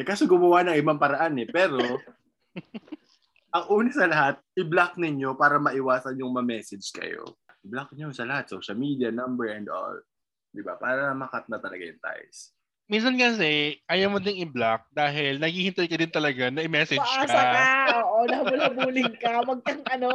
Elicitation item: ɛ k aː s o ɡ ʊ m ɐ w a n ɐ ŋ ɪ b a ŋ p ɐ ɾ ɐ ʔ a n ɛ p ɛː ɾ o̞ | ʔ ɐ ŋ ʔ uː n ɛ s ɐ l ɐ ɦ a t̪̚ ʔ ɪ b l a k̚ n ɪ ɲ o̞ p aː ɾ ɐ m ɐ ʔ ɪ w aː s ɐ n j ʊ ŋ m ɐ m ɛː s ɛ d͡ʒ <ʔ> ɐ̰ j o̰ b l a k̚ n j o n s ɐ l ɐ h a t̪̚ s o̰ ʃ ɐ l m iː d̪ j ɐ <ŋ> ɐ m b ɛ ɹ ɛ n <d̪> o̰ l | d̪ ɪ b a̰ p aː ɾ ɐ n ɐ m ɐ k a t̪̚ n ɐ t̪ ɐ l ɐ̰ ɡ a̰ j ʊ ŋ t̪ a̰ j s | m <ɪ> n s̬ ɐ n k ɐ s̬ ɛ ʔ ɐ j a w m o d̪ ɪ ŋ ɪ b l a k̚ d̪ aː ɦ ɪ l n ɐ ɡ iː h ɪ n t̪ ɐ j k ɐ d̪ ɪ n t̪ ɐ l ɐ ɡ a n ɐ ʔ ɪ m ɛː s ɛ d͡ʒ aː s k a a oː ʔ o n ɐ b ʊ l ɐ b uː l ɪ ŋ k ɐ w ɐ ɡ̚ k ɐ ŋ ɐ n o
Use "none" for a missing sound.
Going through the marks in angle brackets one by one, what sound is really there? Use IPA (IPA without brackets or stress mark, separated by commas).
k, n, d̪, i